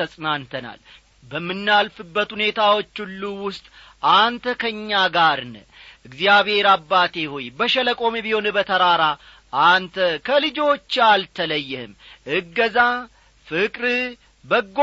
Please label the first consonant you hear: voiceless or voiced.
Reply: voiceless